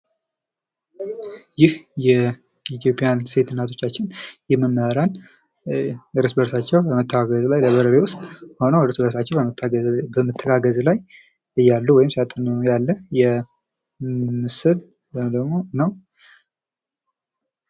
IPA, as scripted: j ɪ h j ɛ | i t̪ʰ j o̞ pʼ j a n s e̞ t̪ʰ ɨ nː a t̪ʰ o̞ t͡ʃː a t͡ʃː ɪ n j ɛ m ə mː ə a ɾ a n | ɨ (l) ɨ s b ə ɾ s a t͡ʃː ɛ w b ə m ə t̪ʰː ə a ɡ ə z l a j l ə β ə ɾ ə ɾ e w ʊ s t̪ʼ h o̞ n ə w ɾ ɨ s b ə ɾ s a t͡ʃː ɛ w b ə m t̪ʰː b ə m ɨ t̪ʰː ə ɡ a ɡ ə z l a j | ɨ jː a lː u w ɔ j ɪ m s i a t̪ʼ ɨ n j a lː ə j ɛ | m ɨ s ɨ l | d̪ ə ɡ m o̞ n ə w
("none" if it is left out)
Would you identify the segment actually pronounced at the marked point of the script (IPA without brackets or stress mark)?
ɾ